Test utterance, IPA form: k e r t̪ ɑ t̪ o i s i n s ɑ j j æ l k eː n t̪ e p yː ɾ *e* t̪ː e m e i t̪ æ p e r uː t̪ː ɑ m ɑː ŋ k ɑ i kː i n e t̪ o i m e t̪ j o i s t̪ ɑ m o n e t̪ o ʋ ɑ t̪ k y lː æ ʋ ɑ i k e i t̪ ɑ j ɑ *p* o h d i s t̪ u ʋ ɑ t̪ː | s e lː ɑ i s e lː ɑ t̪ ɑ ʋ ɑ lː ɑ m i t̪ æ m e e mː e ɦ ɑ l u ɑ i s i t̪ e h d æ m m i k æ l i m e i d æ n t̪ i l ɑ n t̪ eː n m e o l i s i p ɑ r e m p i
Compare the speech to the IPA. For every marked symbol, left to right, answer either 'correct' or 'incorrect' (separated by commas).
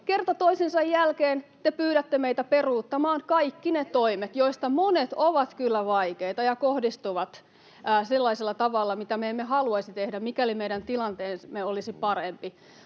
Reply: incorrect, incorrect